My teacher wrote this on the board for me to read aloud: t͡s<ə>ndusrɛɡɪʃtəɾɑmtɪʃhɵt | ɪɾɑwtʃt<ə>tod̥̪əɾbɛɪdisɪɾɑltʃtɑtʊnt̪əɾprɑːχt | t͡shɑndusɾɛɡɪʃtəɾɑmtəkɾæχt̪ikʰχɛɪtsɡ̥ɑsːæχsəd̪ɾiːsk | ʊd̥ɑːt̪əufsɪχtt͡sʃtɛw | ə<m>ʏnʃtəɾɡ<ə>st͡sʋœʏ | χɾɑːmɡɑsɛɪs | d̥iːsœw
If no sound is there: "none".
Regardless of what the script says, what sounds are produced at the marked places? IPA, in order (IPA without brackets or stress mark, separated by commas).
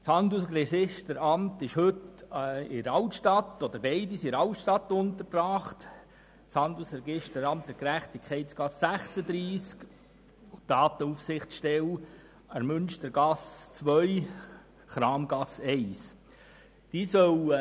ɑ, ɑ, m, ɑ